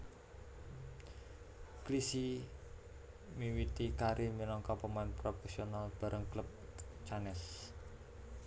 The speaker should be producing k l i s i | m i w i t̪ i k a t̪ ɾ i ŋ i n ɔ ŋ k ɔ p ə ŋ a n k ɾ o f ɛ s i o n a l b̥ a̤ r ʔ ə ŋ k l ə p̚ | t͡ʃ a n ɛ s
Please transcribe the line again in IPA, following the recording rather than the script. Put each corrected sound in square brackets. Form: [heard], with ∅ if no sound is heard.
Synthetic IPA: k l i s i | m i w i t̪ i k a [∅] ɾ i [m] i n ɔ ŋ k ɔ p ə [m] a n [p] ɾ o f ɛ s i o n a l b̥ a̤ [ɾ] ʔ ə ŋ k l ə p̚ | t͡ʃ a n ɛ s

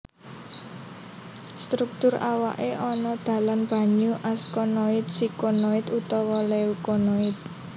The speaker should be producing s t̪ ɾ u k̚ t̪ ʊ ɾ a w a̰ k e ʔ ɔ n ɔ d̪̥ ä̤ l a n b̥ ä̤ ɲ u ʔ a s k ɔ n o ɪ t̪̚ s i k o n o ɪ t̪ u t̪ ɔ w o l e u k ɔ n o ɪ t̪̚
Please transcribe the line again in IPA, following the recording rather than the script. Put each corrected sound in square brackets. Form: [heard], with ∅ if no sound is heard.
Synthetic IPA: s t̪ ɾ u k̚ t̪ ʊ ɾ a w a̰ [ʔ] e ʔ ɔ n ɔ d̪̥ ä̤ l a n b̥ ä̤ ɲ u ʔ a s k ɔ n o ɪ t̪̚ s i k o n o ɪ t̪ u t̪ ɔ w [ɔ] l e u k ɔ n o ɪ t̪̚

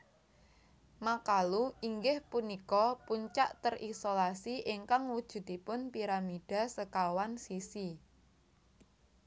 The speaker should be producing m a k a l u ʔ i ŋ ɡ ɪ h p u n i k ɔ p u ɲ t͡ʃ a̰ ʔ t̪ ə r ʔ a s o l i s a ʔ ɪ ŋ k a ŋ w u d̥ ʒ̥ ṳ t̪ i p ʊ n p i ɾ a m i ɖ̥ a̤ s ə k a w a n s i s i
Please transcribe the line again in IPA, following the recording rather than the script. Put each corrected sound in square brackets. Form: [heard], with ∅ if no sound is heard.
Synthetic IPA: m a k a l u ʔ i ŋ ɡ ɪ h p u n i k ɔ p u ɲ t͡ʃ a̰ ʔ t̪ ə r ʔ [i] s o l [a] s [i] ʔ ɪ ŋ k a ŋ w u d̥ ʒ̥ ṳ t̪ i p ʊ n p i ɾ a m i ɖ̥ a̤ s ə k a w a n s i s i

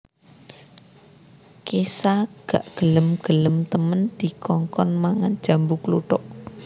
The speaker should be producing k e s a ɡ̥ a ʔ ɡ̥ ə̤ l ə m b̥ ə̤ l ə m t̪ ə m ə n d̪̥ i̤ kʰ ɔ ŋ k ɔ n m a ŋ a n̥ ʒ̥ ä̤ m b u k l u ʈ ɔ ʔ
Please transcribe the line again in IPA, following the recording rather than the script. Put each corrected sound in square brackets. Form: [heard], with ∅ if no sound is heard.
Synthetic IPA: k e s a ɡ̥ a ʔ ɡ̥ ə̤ l ə m [ɡ̥] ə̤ l ə m t̪ ə m ə n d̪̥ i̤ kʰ ɔ ŋ k ɔ n m a ŋ a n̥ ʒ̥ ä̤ m b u k l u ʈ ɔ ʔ

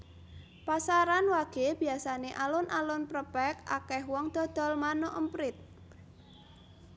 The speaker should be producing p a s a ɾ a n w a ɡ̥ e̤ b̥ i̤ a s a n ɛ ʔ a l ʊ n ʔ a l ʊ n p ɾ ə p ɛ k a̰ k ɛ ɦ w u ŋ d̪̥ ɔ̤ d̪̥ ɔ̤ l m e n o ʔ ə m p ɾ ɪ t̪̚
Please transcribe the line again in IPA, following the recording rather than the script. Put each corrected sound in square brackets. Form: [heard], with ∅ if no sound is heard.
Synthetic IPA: p a s a ɾ a n w a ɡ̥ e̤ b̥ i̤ a s a n [e] ʔ a l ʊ n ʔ a l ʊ n p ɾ ə p ɛ k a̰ k ɛ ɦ w [ɔ] ŋ d̪̥ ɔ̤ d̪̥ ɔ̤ l m [a] n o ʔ ə m p ɾ ɪ t̪̚

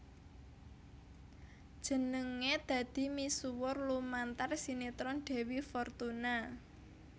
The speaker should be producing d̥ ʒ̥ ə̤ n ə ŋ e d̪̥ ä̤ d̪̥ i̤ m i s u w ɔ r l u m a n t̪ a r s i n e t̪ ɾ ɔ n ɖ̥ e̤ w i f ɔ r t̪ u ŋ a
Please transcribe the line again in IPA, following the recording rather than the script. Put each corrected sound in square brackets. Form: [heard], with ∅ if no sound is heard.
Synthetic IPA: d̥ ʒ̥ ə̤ n ə ŋ e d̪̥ ä̤ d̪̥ i̤ m i s u w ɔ r l u m a n t̪ a r s i n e t̪ ɾ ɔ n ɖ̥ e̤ w i f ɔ r t̪ u [n] a

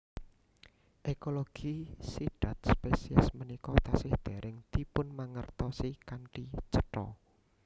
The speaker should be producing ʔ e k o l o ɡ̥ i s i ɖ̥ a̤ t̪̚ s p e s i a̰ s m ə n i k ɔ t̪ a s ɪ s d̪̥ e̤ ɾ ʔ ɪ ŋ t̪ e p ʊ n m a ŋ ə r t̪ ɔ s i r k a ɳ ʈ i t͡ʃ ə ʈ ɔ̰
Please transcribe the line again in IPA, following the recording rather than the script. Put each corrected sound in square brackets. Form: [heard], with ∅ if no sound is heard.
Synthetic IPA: ʔ e k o l o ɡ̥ i s i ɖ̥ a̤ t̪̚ s p e s i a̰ s m ə n i k ɔ t̪ a s ɪ [h] d̪̥ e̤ ɾ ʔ ɪ ŋ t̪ [i] p ʊ n m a ŋ ə r t̪ ɔ s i [∅] k a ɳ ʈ i t͡ʃ ə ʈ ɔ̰

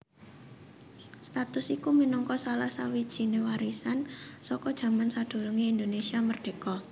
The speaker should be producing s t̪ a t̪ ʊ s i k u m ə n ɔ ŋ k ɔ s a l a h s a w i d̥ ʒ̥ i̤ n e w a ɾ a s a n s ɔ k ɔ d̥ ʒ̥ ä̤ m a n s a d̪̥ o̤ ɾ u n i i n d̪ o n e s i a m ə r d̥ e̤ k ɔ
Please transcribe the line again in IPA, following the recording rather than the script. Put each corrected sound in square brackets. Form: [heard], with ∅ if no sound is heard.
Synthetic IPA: s t̪ a t̪ ʊ s i k u m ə n ɔ ŋ k ɔ s a l a h s a w i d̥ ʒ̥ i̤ n e w a ɾ [i] s a n s ɔ k ɔ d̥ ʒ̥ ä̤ m a n s a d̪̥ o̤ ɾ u [ŋ] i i n d̪ o n e s i a m ə r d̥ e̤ k ɔ

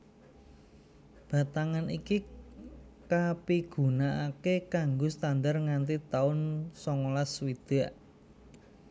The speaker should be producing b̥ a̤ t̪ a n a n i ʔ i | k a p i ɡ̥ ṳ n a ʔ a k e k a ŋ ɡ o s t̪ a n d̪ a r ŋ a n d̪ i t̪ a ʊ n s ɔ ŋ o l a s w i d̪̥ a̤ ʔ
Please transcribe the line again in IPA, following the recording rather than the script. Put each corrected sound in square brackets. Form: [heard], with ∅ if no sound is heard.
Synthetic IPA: b̥ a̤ t̪ a [ŋ] a n i [k] i | k a p i ɡ̥ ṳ n a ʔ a k e k a ŋ ɡ o s t̪ a n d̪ a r ŋ a n [t̪] i t̪ a ʊ n s ɔ ŋ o l a s w i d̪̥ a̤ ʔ

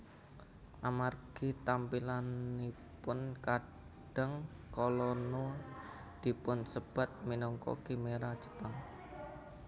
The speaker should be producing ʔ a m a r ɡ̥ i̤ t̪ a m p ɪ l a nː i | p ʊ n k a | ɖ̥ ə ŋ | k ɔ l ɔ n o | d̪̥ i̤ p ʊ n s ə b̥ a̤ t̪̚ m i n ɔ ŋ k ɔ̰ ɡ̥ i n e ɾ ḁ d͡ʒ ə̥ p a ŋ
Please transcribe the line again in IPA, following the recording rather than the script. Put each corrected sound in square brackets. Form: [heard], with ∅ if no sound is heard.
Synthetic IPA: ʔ a m a r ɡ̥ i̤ t̪ a m p [i] l a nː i | p ʊ n k a | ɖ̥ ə ŋ | k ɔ l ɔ n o | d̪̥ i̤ p ʊ n s ə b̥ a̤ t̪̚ m i n ɔ ŋ k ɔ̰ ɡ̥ i [m] e ɾ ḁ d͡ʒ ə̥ p a ŋ

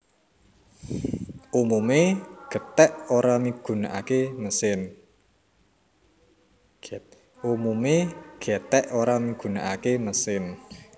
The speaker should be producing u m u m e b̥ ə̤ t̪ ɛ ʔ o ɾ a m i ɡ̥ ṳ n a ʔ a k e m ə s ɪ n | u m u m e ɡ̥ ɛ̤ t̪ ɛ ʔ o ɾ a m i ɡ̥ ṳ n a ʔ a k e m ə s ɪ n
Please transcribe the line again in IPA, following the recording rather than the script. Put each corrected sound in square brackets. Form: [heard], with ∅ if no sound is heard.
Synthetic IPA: u m u m e [ɡ̥] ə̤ t̪ ɛ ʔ o ɾ a m i ɡ̥ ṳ n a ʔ a k e m ə s ɪ n | u m u m e ɡ̥ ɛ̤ t̪ ɛ ʔ o ɾ a m i ɡ̥ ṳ n a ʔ a k e m ə s ɪ n

